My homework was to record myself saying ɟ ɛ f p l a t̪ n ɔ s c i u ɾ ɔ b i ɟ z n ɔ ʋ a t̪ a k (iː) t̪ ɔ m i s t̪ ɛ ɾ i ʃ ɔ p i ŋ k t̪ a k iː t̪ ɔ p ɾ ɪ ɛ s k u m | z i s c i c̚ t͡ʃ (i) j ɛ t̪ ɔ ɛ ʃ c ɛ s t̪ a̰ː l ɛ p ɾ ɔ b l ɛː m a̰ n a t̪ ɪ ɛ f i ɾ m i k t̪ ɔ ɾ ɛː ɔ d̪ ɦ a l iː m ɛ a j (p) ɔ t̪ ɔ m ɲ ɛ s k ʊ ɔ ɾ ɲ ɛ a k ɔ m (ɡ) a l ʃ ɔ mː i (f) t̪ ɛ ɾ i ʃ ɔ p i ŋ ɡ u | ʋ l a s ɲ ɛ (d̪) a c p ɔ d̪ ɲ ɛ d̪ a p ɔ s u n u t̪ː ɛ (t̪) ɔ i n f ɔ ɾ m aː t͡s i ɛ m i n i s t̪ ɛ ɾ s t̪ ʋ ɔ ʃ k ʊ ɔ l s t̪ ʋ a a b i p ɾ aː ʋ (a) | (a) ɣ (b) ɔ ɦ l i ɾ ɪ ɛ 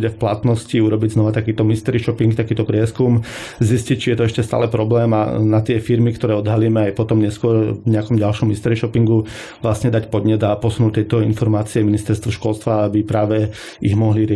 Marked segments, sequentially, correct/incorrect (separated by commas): correct, correct, correct, incorrect, incorrect, correct, correct, incorrect, incorrect, incorrect